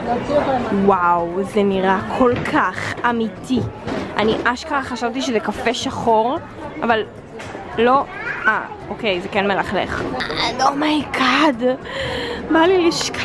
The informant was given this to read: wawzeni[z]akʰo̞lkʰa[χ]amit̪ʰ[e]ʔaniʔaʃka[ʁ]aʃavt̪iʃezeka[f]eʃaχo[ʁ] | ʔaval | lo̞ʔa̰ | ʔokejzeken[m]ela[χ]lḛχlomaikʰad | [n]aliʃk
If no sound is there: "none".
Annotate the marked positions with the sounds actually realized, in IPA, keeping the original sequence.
ʁ, χ, i, χ, f, ʁ, m, χ, m

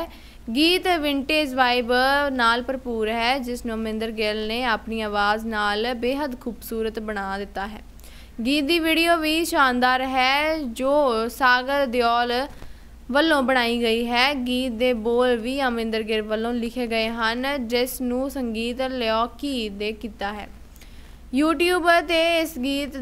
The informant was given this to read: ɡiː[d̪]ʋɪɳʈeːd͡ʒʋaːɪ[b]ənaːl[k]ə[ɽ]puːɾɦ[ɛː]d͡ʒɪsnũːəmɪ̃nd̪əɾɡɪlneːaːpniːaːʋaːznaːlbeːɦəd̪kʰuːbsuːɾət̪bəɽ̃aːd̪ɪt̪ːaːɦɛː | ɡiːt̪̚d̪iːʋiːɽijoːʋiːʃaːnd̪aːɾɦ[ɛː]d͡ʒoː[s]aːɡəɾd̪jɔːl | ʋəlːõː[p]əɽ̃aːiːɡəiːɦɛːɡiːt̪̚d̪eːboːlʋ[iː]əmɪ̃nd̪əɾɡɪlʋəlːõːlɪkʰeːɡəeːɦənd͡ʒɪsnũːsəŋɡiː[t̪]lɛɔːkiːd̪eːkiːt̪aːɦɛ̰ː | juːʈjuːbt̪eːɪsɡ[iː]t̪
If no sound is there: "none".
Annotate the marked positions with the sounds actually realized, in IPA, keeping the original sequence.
t̪, b, p, ɾ, ɛː, ɛː, s, b, iː, t̪, iː

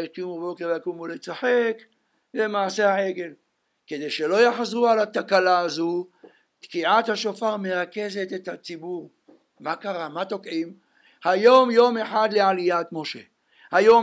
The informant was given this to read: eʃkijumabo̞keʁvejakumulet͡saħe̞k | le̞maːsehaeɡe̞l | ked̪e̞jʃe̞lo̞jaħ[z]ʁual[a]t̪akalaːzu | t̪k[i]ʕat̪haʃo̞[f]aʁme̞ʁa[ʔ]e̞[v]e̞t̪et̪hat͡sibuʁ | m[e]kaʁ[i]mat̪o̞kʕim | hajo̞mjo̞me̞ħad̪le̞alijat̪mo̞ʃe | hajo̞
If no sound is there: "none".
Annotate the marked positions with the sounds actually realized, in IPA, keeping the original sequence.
z, a, i, f, k, z, a, a

